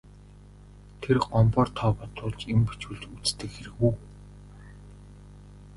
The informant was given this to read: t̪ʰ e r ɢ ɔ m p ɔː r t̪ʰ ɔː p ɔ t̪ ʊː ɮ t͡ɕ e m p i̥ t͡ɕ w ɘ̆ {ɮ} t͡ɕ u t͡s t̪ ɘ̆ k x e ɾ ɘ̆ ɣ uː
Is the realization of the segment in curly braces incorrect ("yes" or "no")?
no